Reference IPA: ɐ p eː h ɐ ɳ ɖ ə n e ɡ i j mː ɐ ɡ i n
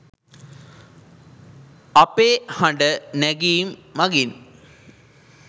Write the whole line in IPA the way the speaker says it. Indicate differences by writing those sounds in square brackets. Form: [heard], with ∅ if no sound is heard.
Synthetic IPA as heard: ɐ p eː h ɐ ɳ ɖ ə n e ɡ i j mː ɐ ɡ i n